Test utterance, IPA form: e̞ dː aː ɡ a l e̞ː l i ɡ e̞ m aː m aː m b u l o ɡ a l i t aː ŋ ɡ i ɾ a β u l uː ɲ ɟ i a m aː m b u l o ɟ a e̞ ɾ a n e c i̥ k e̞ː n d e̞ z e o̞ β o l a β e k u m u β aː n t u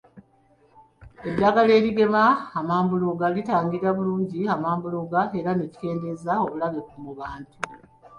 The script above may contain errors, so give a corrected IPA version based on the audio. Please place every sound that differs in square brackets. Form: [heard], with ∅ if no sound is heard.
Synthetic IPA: e̞ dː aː ɡ a l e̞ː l i ɡ e̞ m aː m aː m b u l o ɡ a l i t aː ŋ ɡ i ɾ a β u l uː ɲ ɟ i a m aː m b u l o [ɡ] a e̞ ɾ a n e c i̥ k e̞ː n d e̞ z [a] o̞ β [u] l a β e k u m u β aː n t u